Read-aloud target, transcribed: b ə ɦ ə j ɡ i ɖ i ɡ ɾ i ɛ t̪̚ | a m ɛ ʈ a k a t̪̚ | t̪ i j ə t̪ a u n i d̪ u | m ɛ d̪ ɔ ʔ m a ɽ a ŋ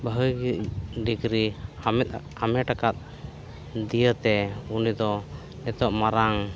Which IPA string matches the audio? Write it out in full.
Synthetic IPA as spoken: b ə ɦ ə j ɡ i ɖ i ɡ ɾ i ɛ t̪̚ | a m ɛ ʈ a k a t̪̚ | d̪ i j ə t̪ ɛ u n i d̪ ɔ | n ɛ t̪ ɔ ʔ m a ɾ a ŋ